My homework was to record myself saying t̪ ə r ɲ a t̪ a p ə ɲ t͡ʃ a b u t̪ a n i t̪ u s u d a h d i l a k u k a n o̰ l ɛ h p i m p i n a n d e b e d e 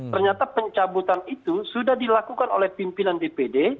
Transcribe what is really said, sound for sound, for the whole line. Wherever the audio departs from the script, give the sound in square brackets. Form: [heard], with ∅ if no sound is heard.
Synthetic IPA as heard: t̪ ə r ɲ a t̪ a p ə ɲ t͡ʃ a b u t̪ a n i t̪ u s u d a h d i l a k u k a n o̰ l ɛ h p i m p i n a n d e [p] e d e